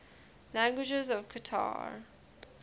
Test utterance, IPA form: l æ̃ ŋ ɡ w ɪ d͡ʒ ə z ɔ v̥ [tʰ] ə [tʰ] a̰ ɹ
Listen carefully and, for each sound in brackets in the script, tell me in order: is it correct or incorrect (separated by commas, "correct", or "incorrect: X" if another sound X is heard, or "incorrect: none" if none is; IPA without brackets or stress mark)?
incorrect: kʰ, correct